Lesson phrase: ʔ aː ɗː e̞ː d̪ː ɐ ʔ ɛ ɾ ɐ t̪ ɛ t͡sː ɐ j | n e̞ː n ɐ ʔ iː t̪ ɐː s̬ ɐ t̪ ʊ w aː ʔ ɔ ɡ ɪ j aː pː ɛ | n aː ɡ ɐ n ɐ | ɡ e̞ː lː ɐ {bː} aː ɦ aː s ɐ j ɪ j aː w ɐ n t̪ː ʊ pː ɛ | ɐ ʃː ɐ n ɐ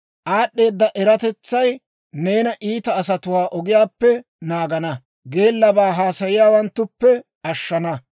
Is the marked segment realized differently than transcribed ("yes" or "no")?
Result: yes